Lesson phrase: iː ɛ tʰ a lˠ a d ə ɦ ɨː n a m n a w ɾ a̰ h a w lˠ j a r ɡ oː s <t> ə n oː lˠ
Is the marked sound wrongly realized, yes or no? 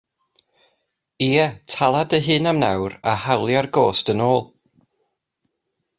no